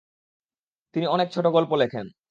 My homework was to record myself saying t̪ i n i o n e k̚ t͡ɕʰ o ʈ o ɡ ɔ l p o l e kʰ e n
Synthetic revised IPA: t̪ i n i ɔ n e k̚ t͡ɕʰ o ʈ o ɡ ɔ l p o l e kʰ e n